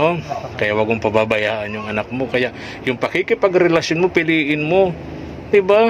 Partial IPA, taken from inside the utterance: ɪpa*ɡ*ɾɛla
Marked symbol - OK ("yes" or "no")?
yes